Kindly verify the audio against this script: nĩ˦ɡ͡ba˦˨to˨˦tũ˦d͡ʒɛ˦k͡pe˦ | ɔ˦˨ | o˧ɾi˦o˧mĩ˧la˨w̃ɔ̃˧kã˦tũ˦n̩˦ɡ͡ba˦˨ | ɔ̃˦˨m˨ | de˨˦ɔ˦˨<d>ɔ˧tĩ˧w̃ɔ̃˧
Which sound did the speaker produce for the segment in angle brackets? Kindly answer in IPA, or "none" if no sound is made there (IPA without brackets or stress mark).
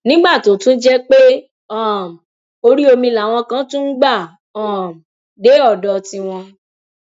d